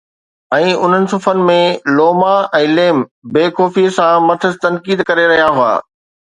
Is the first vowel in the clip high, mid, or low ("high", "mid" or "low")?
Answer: mid